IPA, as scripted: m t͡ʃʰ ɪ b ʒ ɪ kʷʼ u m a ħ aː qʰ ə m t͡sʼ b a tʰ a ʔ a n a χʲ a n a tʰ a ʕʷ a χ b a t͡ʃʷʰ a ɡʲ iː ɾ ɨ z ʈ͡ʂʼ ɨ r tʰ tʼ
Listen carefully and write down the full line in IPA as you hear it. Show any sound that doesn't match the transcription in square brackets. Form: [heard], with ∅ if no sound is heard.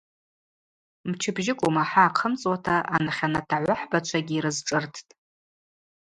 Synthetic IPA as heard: m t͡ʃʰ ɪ b ʒ ɪ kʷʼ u m a ħ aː qʰ ə m t͡sʼ [w] a tʰ a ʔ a n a χʲ a n a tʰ a ʕʷ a [ħ] b a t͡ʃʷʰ a ɡʲ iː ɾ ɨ z ʈ͡ʂʼ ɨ r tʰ tʼ